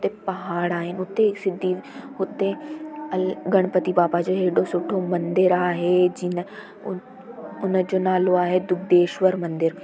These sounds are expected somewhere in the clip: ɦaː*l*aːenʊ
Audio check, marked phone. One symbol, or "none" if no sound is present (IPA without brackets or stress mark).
ɽ